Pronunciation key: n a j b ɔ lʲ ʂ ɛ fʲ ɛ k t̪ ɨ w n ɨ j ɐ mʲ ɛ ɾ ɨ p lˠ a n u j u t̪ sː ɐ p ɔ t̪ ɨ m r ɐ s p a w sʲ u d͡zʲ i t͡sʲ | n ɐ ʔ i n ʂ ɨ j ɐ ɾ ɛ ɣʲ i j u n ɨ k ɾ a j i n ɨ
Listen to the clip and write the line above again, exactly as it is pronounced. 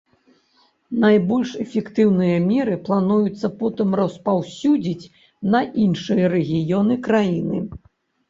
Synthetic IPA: n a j b ɔ lʲ ʂ ɛ fʲ ɛ k t̪ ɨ w n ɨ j ɐ mʲ ɛ ɾ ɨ p lˠ a n u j u t̪ sː ɐ p ɔ t̪ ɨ m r ɐ s p a w sʲ u d͡zʲ i t͡sʲ | n ɐ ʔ i n ʂ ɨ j ɐ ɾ ɛ ɣʲ i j ɔ n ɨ k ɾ a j i n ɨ